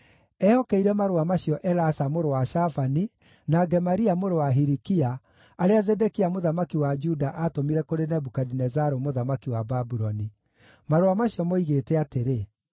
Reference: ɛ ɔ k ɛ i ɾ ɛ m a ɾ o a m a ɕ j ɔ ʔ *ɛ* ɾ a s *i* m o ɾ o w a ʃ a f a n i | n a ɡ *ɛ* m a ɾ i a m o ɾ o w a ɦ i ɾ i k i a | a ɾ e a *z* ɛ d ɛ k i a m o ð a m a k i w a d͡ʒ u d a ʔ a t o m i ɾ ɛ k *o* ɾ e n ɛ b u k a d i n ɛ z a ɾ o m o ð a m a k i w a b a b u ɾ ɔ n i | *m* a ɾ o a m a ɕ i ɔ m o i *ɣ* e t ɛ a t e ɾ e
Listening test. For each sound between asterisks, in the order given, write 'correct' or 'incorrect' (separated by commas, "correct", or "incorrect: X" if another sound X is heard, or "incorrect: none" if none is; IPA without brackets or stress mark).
correct, incorrect: a, correct, correct, correct, correct, correct